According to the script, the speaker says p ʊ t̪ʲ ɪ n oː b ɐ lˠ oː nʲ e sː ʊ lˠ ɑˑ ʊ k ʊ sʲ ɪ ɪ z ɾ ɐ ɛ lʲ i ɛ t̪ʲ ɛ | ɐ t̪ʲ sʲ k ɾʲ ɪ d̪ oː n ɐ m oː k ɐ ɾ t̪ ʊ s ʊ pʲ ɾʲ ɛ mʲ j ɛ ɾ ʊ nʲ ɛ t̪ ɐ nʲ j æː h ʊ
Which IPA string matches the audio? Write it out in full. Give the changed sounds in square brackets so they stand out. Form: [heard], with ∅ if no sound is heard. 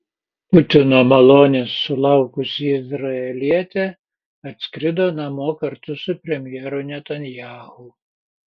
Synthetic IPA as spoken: p ʊ t̪ʲ ɪ n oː [m] ɐ lˠ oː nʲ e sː ʊ lˠ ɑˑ ʊ k ʊ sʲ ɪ ɪ z ɾ ɐ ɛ lʲ i ɛ t̪ʲ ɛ | ɐ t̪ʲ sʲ k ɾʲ ɪ d̪ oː n ɐ m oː k ɐ ɾ t̪ ʊ s ʊ pʲ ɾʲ ɛ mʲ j ɛ ɾ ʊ nʲ ɛ t̪ ɐ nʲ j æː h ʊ